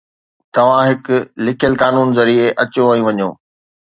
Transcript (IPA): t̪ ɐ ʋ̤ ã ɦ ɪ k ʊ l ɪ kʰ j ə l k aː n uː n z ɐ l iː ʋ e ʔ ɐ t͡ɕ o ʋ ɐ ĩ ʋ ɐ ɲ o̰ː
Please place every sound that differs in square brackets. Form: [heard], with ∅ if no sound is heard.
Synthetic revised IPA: t̪ ɐ ʋ̤ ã ɦ ɪ k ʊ l ɪ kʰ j ə l k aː n uː n z ɐ [ɾ] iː [∅] e ʔ ɐ t͡ɕ o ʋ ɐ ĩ ʋ ɐ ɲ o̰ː